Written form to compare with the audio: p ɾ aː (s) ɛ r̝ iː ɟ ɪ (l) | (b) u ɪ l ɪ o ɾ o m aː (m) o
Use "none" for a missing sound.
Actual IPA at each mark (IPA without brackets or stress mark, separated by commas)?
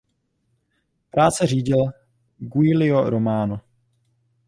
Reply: t͡s, l, ɡ, n